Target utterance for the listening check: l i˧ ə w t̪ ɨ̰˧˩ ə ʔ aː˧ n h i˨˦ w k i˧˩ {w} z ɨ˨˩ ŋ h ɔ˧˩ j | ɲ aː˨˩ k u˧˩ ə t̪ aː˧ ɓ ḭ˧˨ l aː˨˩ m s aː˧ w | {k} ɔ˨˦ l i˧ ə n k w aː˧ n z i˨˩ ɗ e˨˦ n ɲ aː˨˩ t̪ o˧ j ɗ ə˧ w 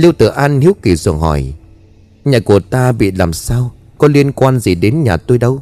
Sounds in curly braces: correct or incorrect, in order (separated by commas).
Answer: incorrect, correct